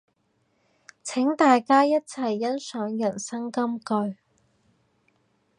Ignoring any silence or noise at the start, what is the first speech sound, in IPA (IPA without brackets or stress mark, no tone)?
t͡sʰ